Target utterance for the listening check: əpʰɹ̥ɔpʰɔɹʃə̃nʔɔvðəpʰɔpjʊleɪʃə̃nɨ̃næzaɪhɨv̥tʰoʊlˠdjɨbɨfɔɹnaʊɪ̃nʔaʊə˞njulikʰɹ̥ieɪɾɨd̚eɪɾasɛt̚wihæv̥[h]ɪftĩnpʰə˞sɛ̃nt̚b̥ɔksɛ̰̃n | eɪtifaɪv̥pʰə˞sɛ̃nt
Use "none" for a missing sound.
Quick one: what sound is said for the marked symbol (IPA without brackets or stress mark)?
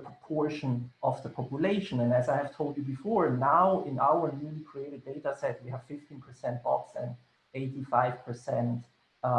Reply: f